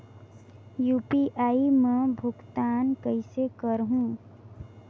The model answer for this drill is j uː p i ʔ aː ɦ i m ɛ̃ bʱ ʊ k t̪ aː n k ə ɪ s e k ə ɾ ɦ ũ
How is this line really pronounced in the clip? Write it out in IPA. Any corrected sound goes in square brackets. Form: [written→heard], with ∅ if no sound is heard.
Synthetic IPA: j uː p i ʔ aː [ɦ→∅] i m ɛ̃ bʱ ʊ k t̪ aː n k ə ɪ s e k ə ɾ ɦ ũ